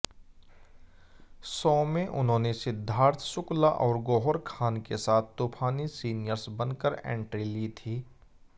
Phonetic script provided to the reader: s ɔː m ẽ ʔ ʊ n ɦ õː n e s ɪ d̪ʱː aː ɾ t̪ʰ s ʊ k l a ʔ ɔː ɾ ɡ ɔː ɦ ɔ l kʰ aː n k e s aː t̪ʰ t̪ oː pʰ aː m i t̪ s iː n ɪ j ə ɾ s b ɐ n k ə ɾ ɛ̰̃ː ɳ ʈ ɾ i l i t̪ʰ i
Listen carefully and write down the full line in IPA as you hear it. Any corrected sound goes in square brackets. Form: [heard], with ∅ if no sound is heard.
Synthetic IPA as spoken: s ɔː m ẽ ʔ ʊ n ɦ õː n e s ɪ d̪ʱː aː ɾ t̪ʰ s ʊ k l a ʔ ɔː ɾ ɡ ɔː ɦ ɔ [ɾ] kʰ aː n k e s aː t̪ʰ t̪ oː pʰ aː [n] i [∅] s iː n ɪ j ə ɾ s b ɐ n k ə ɾ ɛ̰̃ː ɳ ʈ ɾ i l i t̪ʰ [iː]